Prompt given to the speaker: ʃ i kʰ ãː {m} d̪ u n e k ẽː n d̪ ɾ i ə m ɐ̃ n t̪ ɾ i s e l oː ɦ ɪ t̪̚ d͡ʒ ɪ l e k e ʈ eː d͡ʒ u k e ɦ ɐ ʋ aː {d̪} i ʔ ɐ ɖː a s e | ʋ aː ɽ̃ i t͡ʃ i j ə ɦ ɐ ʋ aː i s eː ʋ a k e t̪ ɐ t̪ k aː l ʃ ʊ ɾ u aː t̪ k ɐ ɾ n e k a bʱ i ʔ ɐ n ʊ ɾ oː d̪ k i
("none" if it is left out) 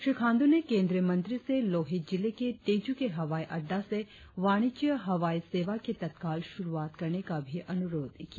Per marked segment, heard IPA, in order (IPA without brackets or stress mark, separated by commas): n, none